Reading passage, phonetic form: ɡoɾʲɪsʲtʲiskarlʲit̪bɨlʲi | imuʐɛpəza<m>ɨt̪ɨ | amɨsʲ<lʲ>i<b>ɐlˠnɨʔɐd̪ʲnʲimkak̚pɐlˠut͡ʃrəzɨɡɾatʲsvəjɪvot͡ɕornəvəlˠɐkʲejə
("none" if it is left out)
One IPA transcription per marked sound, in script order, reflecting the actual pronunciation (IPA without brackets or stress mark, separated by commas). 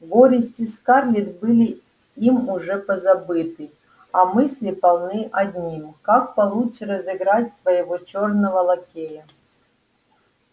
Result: b, lʲ, p